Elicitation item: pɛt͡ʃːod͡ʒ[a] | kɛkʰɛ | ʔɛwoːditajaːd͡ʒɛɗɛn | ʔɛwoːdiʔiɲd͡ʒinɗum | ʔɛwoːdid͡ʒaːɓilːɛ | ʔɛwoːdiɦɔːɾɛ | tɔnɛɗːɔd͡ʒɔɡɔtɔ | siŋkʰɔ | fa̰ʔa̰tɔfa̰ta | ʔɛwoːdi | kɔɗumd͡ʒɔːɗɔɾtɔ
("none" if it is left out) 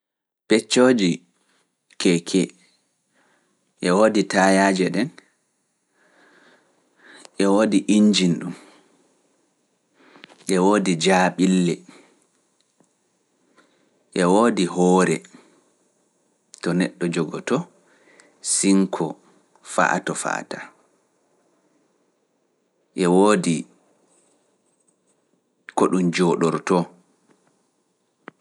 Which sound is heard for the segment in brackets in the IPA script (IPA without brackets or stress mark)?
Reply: i